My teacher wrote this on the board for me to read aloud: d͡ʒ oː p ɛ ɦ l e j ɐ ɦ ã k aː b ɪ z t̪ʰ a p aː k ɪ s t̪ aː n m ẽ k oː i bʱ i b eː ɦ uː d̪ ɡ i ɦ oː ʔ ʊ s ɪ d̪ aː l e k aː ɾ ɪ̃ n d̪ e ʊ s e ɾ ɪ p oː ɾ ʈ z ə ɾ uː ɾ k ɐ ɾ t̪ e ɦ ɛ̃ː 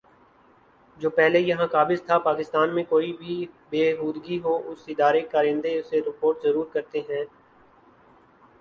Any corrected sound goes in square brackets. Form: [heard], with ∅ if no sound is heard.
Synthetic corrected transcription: d͡ʒ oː p ɛ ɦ l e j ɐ ɦ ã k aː b ɪ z t̪ʰ a p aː k ɪ s t̪ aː n m ẽ k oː i bʱ i b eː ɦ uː d̪ ɡ i ɦ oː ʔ ʊ s ɪ d̪ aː [ɾ] e k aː ɾ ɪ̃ n d̪ e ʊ s e ɾ ɪ p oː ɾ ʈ z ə ɾ uː ɾ k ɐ ɾ t̪ e ɦ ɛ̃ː

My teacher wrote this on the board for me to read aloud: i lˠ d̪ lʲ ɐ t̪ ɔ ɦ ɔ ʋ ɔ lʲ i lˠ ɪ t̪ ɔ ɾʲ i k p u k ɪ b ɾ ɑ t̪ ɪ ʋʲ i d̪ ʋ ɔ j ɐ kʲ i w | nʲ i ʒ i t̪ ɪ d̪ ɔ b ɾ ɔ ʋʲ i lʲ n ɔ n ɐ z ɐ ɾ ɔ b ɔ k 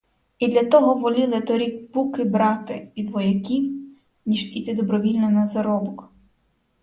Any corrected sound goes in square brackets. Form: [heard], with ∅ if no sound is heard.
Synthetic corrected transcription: i [∅] d̪ lʲ ɐ t̪ ɔ ɦ ɔ ʋ ɔ lʲ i lˠ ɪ t̪ ɔ ɾʲ i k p u k ɪ b ɾ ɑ t̪ ɪ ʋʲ i d̪ ʋ ɔ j ɐ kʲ i w | nʲ i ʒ i t̪ ɪ d̪ ɔ b ɾ ɔ ʋʲ i lʲ n ɔ n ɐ z ɐ ɾ ɔ b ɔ k

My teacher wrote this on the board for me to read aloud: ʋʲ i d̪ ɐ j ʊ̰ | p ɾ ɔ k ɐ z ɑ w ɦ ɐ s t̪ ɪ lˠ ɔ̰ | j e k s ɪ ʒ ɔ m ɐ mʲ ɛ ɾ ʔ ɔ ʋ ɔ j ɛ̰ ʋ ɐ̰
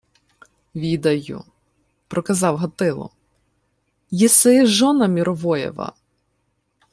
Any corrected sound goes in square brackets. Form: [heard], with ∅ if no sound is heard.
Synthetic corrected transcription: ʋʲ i d̪ ɐ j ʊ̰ | p ɾ ɔ k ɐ z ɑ w ɦ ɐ [∅] t̪ ɪ lˠ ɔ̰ | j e [∅] s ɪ ʒ ɔ [n] ɐ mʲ [i] ɾ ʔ ɔ ʋ ɔ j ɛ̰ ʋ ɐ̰

